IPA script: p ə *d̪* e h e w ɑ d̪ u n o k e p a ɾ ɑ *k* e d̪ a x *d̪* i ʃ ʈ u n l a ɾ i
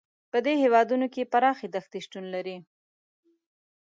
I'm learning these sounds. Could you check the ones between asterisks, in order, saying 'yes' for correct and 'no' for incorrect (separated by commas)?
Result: yes, no, no